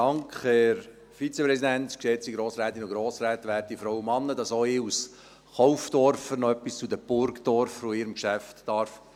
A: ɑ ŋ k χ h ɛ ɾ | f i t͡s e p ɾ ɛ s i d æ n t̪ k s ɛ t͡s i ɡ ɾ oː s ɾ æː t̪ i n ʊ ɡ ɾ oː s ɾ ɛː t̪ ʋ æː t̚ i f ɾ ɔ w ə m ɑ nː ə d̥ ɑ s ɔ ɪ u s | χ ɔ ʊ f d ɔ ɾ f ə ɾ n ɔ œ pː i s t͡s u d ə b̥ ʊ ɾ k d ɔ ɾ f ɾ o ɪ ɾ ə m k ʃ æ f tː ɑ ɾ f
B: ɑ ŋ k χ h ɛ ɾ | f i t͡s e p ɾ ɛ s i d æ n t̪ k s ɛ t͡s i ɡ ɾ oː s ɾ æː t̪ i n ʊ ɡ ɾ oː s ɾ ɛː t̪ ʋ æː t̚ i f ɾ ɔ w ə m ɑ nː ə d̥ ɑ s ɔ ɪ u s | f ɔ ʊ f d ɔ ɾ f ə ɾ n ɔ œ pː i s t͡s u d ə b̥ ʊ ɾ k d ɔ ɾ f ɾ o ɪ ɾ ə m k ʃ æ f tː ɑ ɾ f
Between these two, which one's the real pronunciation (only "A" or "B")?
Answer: A